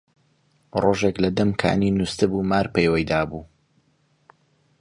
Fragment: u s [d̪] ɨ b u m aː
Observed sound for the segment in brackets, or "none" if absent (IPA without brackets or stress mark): t̪